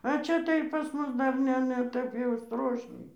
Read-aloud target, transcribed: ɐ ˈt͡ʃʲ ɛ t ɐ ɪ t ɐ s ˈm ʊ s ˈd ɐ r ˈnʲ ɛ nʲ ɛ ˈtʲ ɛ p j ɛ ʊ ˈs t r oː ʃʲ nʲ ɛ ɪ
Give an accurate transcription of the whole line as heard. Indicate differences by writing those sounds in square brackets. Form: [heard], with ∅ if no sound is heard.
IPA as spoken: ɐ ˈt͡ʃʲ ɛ t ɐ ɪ [p] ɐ s ˈm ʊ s ˈd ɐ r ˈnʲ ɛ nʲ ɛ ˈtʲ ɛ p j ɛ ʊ ˈs t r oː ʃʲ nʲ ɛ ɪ